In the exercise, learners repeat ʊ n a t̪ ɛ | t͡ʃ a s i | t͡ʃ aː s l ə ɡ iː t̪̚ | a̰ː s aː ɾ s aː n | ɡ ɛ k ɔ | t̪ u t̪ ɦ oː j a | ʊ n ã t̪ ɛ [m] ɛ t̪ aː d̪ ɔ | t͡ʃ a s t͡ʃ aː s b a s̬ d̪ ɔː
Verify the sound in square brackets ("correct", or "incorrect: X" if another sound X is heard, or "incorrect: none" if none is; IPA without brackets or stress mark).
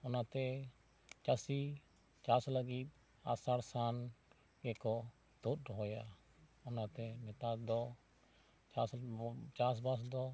correct